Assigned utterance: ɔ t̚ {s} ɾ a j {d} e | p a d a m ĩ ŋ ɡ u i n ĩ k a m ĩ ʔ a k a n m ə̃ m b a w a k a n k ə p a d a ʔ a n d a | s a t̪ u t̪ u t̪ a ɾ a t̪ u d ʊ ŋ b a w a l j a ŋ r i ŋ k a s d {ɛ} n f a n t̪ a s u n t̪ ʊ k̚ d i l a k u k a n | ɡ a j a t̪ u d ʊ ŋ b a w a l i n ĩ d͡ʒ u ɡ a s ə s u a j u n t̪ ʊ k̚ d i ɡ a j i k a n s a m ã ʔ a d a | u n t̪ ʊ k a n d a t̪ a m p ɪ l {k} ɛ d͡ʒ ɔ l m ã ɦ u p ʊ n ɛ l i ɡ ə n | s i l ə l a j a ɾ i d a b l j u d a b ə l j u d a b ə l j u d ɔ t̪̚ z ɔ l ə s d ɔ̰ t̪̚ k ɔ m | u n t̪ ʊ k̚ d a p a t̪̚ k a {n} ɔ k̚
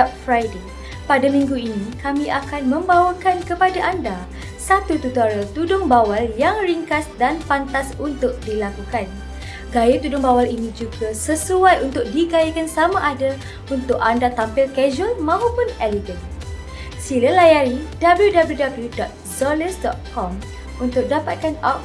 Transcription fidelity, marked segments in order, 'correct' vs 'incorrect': incorrect: f, correct, incorrect: a, correct, correct

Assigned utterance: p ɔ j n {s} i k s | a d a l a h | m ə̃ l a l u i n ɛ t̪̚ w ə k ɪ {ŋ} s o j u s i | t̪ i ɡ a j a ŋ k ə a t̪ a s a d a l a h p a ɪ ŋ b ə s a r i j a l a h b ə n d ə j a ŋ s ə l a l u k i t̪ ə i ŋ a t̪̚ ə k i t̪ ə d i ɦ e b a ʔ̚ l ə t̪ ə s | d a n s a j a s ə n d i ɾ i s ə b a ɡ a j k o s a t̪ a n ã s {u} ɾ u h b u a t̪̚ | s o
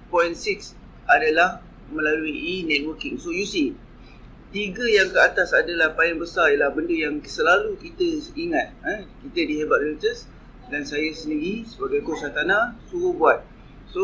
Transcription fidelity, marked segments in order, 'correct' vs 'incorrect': correct, correct, correct

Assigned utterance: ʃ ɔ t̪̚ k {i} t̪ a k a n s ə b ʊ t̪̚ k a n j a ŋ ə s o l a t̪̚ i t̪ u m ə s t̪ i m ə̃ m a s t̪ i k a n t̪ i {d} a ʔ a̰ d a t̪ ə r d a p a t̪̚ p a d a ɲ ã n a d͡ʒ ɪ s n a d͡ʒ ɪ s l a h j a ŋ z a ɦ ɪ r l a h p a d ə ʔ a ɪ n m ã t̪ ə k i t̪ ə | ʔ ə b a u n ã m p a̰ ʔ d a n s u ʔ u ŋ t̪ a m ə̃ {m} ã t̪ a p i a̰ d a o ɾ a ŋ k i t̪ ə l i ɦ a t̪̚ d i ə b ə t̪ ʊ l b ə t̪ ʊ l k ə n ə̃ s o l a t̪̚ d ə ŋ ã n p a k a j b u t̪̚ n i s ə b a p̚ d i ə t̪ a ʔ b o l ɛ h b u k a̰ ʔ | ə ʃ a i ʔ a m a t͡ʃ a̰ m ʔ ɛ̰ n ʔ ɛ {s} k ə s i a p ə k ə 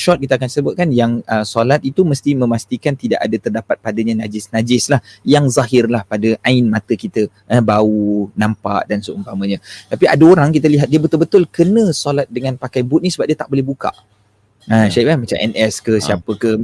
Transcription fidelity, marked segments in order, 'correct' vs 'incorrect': correct, correct, incorrect: ɲ, correct

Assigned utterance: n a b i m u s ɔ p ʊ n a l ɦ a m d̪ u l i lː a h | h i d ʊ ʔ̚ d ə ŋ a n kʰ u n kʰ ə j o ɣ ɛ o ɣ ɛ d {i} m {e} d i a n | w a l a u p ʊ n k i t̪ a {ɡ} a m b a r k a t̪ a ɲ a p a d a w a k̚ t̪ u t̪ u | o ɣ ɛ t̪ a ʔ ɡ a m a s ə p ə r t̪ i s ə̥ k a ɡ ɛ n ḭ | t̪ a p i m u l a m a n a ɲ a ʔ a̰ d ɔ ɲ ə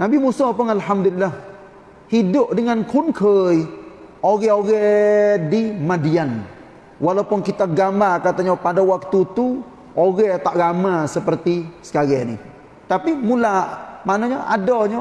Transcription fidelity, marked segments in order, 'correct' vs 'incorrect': correct, incorrect: a, correct

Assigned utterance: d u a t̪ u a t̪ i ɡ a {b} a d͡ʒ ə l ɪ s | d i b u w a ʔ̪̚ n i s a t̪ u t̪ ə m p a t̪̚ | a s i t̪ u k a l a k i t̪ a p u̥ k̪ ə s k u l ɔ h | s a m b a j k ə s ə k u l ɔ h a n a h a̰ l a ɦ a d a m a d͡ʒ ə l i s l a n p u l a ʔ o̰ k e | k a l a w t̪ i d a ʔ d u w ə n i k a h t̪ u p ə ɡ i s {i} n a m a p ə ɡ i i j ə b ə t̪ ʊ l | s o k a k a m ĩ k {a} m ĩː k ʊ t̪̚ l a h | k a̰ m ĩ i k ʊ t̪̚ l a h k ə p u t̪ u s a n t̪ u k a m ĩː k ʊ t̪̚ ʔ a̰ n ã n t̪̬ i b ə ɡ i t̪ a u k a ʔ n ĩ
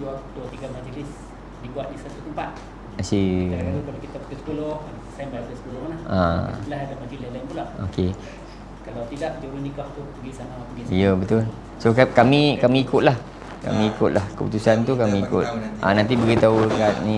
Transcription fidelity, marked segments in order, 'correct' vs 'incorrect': incorrect: m, incorrect: a, correct

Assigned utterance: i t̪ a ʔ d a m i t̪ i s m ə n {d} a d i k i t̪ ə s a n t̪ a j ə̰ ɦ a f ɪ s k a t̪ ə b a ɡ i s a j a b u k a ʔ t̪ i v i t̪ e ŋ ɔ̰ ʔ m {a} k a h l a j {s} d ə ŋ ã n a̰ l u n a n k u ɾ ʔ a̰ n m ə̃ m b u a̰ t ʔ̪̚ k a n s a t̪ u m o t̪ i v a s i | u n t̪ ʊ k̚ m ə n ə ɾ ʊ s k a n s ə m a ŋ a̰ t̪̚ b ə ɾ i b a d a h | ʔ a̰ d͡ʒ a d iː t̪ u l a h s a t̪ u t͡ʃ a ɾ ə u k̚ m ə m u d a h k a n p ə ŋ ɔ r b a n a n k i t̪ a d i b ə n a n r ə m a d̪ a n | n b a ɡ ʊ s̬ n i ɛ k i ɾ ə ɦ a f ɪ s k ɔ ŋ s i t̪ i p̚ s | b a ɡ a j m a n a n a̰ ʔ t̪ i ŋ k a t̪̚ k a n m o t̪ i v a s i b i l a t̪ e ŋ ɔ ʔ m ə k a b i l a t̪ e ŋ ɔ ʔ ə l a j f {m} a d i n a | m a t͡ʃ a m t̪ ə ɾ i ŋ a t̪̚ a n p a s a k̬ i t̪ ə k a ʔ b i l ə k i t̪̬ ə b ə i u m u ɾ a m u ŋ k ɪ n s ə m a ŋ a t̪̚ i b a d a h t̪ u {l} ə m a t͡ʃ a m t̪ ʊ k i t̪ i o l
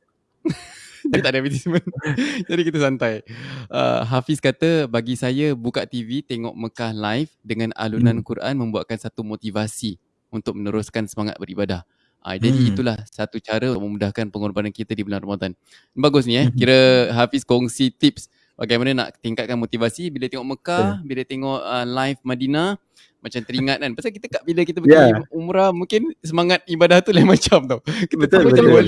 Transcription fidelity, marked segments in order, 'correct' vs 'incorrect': incorrect: d͡ʒ, incorrect: ə, incorrect: f, correct, correct

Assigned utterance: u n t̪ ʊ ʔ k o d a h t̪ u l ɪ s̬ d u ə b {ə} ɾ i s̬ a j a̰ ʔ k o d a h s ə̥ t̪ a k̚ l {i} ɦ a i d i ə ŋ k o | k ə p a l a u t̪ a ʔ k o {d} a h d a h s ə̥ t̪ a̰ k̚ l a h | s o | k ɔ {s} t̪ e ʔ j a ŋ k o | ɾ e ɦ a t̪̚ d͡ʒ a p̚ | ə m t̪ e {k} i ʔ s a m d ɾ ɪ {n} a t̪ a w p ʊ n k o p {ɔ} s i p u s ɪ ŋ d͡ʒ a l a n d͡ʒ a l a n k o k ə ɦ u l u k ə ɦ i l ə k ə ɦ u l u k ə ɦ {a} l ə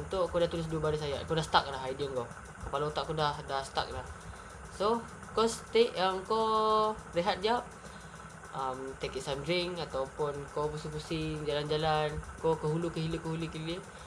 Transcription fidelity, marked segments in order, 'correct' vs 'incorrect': incorrect: a, incorrect: a, correct, correct, correct, incorrect: ŋ, incorrect: u, incorrect: i

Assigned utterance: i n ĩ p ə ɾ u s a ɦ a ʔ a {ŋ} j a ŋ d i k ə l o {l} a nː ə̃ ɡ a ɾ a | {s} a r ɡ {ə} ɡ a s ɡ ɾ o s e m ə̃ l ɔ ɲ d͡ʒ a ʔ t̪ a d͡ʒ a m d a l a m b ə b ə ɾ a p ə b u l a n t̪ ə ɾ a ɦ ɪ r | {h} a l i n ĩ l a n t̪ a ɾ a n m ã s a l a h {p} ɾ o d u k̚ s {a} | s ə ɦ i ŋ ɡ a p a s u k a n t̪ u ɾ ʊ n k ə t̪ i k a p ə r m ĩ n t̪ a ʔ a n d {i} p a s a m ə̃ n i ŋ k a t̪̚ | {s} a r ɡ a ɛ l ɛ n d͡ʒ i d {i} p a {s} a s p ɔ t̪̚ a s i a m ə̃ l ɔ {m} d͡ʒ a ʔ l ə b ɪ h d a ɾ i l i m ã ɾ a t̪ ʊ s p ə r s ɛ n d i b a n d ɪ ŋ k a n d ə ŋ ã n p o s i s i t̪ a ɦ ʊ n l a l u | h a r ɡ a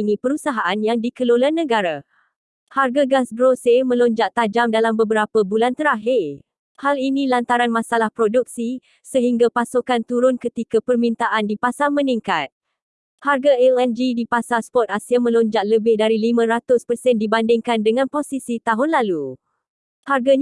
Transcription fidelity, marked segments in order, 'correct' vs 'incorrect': incorrect: n, correct, incorrect: h, incorrect: a, correct, correct, incorrect: i, correct, incorrect: h, correct, correct, incorrect: ɲ

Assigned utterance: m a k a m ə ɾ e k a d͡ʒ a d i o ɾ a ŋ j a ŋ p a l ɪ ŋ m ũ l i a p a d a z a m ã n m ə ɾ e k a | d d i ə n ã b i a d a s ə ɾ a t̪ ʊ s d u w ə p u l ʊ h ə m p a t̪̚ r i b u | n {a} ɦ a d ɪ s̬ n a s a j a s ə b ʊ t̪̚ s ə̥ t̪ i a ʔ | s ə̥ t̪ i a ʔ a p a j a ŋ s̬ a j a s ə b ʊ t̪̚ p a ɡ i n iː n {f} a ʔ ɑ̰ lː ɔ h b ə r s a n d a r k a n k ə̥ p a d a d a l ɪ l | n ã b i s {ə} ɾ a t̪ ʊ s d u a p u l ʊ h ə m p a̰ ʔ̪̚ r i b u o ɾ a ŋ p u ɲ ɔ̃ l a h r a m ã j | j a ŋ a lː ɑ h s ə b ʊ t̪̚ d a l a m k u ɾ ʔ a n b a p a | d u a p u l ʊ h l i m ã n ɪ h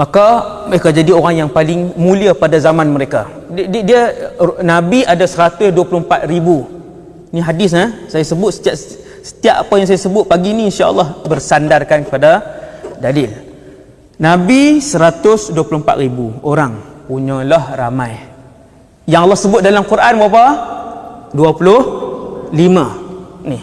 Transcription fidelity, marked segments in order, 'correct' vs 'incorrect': incorrect: i, incorrect: ʃ, correct

